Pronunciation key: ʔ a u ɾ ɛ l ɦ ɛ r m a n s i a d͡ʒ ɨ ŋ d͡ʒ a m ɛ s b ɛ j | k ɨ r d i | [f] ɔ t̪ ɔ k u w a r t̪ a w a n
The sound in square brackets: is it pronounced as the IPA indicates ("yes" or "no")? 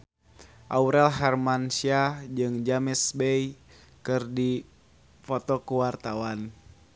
yes